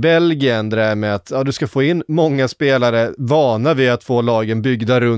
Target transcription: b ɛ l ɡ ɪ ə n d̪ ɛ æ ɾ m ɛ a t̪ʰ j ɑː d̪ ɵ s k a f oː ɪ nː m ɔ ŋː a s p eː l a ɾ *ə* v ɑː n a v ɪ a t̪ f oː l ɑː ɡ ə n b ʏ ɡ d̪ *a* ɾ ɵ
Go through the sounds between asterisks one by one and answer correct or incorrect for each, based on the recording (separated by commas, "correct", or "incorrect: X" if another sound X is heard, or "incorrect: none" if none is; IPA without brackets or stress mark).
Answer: correct, correct